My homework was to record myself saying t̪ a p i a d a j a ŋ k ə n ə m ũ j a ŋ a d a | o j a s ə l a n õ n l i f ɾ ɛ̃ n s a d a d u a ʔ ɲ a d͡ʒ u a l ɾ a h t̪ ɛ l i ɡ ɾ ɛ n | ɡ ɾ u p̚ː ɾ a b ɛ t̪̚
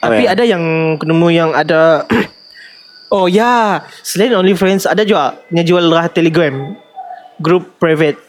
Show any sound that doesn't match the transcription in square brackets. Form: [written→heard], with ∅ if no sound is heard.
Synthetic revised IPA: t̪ a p i a d a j a ŋ k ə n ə m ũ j a ŋ a d a | o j a s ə l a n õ n l i f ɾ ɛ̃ n s a d a [d→d͡ʒ] u a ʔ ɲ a d͡ʒ u a l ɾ a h t̪ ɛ l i ɡ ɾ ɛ [n→m] | ɡ ɾ u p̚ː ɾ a [b→v] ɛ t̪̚